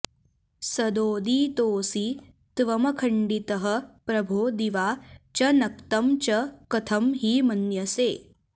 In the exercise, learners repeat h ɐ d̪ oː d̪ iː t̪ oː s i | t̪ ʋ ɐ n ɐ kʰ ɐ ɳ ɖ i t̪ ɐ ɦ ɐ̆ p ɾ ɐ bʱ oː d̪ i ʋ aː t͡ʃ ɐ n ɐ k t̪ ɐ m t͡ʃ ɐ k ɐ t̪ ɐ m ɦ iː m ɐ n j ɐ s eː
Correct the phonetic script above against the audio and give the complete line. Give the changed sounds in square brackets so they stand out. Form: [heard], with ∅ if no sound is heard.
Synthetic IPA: [s] ɐ d̪ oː d̪ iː t̪ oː s i | t̪ ʋ ɐ [m] ɐ kʰ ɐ ɳ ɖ i t̪ ɐ ɦ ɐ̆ p ɾ ɐ bʱ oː d̪ i ʋ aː t͡ʃ ɐ n ɐ k t̪ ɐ m t͡ʃ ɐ k ɐ [t̪ʰ] ɐ m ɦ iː m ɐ n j ɐ s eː

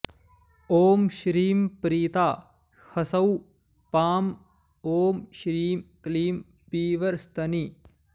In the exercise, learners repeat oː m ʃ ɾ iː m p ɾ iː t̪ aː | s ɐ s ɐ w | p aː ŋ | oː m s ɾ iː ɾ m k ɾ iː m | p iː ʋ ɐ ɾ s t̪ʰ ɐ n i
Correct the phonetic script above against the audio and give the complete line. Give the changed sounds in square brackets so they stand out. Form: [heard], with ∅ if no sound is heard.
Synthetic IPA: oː m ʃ ɾ iː m p ɾ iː t̪ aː | [h] ɐ s ɐ w | p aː [m] | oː m [ʃ] ɾ iː [∅] m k [l] iː m | p iː ʋ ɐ ɾ s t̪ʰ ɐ n i

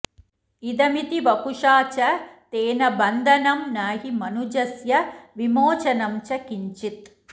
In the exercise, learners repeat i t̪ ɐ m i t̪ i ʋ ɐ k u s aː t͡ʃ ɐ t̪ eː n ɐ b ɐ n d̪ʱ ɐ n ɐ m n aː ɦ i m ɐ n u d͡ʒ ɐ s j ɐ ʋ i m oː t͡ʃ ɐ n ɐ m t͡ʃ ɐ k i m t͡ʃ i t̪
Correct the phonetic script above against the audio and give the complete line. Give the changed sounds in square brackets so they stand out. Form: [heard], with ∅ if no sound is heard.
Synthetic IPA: i [d̪] ɐ m i t̪ i ʋ ɐ k u [ʂ] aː t͡ʃ ɐ t̪ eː n ɐ b ɐ n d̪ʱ ɐ n ɐ m n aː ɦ i m ɐ n u d͡ʒ ɐ s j ɐ ʋ i m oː t͡ʃ ɐ n ɐ m t͡ʃ ɐ k i [ɲ] t͡ʃ i t̪

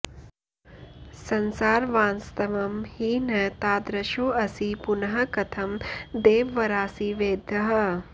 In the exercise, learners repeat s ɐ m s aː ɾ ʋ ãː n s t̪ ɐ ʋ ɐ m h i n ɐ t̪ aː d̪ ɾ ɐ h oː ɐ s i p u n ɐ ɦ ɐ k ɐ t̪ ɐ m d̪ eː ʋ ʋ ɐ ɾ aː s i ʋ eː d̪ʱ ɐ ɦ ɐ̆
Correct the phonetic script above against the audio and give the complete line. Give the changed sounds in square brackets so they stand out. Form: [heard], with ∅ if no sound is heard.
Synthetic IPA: s ɐ [n] s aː ɾ ʋ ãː n s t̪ ɐ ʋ ɐ m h i n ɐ t̪ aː d̪ ɾ ɐ [ʃ] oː ɐ s i p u n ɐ ɦ ɐ k ɐ [t̪ʰ] ɐ m d̪ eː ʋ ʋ ɐ ɾ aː s i ʋ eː d̪ʱ ɐ ɦ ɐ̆

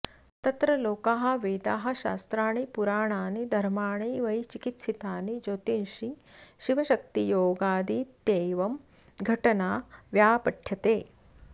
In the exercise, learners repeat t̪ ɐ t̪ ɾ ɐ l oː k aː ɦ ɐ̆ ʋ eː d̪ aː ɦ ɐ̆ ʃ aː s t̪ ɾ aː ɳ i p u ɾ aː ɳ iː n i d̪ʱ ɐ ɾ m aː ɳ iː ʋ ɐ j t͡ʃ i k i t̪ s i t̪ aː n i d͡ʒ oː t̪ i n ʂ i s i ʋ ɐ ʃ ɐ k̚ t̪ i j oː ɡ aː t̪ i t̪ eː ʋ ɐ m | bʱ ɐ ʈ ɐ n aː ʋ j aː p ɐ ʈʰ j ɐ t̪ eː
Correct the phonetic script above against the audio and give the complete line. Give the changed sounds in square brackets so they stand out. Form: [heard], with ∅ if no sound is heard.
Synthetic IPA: t̪ ɐ t̪ ɾ ɐ l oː k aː ɦ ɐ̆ ʋ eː d̪ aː ɦ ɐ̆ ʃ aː s t̪ ɾ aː ɳ i p u ɾ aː ɳ [aː] n i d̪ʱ ɐ ɾ m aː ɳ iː ʋ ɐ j t͡ʃ i k i t̪ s i t̪ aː n i d͡ʒ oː t̪ i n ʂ i [ʃ] i ʋ ɐ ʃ ɐ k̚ t̪ i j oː ɡ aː [d̪] i t̪ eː ʋ ɐ m | [ɡʱ] ɐ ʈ ɐ n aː ʋ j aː p ɐ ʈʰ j ɐ t̪ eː

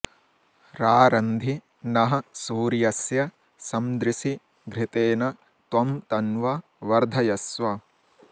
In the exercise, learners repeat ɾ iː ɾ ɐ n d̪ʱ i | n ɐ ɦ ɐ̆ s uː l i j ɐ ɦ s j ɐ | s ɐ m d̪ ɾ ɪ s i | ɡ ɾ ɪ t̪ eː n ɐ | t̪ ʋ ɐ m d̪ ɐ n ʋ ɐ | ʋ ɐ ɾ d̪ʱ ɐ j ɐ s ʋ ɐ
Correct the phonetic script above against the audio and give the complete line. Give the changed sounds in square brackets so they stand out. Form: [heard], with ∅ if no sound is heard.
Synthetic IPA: ɾ [aː] ɾ ɐ n d̪ʱ i | n ɐ ɦ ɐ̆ s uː [ɾ] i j ɐ [∅] s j ɐ | s ɐ m d̪ ɾ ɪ s i | ɡ ɾ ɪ t̪ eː n ɐ | t̪ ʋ ɐ m [t̪] ɐ n ʋ ɐ | ʋ ɐ ɾ d̪ʱ ɐ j ɐ s ʋ ɐ

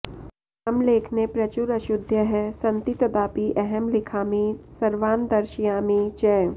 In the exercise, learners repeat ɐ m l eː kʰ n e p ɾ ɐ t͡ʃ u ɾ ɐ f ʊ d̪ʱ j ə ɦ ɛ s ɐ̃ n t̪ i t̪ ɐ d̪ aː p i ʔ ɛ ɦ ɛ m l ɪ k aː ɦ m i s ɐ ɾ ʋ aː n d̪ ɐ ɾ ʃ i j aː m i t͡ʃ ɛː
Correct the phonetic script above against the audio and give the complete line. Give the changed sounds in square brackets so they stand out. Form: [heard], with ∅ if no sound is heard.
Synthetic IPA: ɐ m l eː kʰ n e p ɾ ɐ t͡ʃ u ɾ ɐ [ʃ] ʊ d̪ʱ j ə ɦ ɛ s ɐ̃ n t̪ i t̪ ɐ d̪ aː p i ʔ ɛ ɦ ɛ m l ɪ [kʰ] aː [∅] m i s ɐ ɾ ʋ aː n d̪ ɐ ɾ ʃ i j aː m i t͡ʃ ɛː

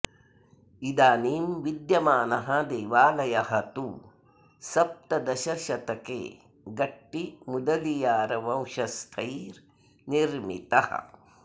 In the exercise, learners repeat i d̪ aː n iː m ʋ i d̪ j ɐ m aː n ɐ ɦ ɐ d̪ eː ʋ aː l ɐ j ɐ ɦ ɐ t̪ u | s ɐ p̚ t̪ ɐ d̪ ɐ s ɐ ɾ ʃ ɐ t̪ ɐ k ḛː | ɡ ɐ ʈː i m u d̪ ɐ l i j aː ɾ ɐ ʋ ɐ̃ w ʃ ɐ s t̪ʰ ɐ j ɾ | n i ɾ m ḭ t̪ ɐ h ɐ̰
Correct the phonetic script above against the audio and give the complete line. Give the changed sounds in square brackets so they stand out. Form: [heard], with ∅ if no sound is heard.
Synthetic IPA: i d̪ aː n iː m ʋ i d̪ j ɐ m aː n ɐ ɦ ɐ d̪ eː ʋ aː l ɐ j ɐ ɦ ɐ t̪ u | s ɐ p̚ t̪ ɐ d̪ ɐ [ʃ] ɐ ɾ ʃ ɐ t̪ ɐ k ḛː | ɡ ɐ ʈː i m u d̪ ɐ l i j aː ɾ ɐ ʋ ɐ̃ w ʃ ɐ s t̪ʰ ɐ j ɾ | n i ɾ m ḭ t̪ ɐ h ɐ̰

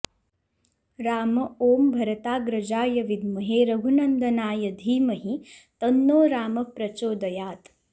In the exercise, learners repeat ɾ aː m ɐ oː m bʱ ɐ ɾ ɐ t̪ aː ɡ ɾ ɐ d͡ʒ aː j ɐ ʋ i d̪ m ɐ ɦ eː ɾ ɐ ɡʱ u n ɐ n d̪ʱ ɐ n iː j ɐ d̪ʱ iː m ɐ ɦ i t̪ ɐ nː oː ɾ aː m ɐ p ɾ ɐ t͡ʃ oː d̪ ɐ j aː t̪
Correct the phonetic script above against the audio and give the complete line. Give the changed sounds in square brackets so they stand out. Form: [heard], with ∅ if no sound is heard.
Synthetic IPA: ɾ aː m ɐ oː m bʱ ɐ ɾ ɐ t̪ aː ɡ ɾ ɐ d͡ʒ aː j ɐ ʋ i d̪ m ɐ ɦ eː ɾ ɐ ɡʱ u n ɐ n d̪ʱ ɐ n [aː] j ɐ d̪ʱ iː m ɐ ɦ i t̪ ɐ nː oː ɾ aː m ɐ p ɾ ɐ t͡ʃ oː d̪ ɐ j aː t̪

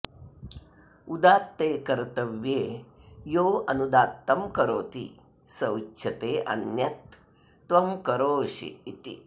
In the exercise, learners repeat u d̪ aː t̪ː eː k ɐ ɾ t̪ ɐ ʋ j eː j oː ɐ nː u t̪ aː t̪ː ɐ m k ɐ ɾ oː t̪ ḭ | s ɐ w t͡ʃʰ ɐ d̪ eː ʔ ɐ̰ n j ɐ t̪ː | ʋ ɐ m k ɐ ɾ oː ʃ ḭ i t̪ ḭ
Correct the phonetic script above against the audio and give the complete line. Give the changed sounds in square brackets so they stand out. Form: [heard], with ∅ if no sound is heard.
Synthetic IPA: u d̪ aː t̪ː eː k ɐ ɾ t̪ ɐ ʋ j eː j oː ɐ [n] u [d̪] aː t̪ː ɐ m k ɐ ɾ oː t̪ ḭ | s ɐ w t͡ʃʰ ɐ [t̪] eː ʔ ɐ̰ n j ɐ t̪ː | ʋ ɐ m k ɐ ɾ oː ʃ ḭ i t̪ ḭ

